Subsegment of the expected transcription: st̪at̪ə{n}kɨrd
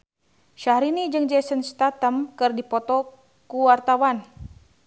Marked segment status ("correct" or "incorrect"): incorrect